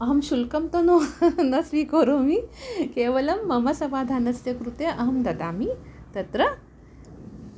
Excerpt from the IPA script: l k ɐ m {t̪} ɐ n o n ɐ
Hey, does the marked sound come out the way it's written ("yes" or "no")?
yes